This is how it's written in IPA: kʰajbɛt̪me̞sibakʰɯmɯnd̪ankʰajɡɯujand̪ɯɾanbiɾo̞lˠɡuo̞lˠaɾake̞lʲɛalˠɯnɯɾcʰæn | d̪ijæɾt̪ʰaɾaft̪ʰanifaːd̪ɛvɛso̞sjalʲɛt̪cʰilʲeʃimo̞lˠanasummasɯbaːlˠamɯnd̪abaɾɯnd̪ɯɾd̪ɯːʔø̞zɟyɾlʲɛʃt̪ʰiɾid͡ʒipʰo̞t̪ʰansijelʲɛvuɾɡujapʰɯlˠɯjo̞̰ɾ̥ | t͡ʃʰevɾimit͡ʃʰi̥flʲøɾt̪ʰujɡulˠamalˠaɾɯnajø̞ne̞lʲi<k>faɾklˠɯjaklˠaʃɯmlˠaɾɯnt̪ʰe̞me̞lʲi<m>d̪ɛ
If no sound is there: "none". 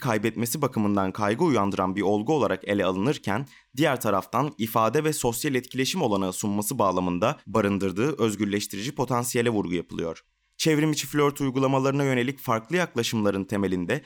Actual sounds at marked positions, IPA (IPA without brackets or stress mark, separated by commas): c, n